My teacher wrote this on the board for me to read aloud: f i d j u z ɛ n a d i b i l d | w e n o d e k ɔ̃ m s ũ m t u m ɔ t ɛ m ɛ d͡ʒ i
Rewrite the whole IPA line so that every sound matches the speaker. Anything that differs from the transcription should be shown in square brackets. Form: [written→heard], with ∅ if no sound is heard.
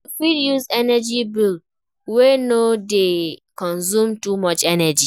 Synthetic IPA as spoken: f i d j u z ɛ n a [d→d͡ʒ] i b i l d | w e n o d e k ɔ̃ [m→n] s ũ m t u m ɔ [t→t͡ʃ] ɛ [m→n] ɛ d͡ʒ i